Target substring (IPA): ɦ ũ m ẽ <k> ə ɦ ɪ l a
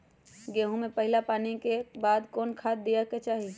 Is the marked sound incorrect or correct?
incorrect